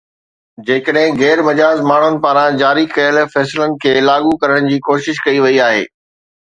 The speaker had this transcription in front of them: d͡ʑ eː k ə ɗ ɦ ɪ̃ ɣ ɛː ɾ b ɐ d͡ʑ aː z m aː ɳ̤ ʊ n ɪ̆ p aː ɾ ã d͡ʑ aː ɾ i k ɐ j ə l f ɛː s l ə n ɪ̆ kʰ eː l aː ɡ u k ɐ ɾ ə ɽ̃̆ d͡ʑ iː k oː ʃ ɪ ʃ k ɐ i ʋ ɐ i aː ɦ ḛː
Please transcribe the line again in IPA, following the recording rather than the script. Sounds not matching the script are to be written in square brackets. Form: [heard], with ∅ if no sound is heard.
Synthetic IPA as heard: d͡ʑ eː k ə ɗ ɦ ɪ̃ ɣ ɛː ɾ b ɐ d͡ʑ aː z m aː ɳ̤ ʊ n ɪ̆ p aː ɾ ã d͡ʑ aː ɾ i k ɐ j ə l f ɛː s l ə n ɪ̆ kʰ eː l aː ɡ u k ɐ ɾ ə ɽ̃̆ d͡ʑ iː k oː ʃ ɪ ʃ k ɐ i ʋ ɐ i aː ɦ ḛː

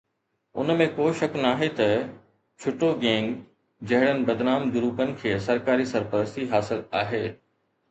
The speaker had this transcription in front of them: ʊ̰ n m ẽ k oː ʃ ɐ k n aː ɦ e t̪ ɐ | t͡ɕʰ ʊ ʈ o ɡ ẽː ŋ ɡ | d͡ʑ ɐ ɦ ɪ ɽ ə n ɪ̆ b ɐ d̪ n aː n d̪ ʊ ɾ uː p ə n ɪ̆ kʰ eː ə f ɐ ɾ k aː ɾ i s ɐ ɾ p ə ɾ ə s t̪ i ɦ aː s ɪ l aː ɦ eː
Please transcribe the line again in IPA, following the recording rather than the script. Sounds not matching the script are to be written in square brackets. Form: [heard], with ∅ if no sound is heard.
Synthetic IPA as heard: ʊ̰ n m ẽ k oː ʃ ɐ k n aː ɦ e t̪ ɐ | t͡ɕʰ ʊ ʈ o ɡ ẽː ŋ ɡ | d͡ʑ ɐ ɦ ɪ ɽ ə n ɪ̆ b ɐ d̪ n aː [m] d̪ ʊ ɾ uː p ə n ɪ̆ kʰ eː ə [s] ɐ ɾ k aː ɾ i s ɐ ɾ p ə ɾ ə s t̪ i ɦ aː s ɪ l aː ɦ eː

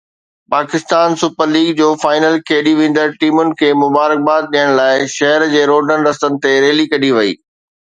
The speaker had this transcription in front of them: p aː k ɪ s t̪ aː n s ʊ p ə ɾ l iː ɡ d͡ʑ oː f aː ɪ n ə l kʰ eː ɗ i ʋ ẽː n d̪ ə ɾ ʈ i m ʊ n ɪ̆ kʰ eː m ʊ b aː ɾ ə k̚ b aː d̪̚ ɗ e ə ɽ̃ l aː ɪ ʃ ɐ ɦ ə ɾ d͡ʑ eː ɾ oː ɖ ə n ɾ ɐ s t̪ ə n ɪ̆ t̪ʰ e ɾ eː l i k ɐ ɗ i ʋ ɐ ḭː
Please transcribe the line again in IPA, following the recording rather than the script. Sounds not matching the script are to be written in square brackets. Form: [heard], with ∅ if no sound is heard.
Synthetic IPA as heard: p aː k ɪ s t̪ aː n s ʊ p ə ɾ l iː ɡ d͡ʑ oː f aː ɪ n ə l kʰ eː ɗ i ʋ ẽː n d̪ ə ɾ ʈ [iː] m ʊ n ɪ̆ kʰ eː m ʊ b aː ɾ ə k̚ b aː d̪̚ ɗ [i] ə ɽ̃ l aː ɪ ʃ ɐ ɦ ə ɾ d͡ʑ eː ɾ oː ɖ ə n ɾ ɐ s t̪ ə n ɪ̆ [t̪] e ɾ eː l i k ɐ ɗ i ʋ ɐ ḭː

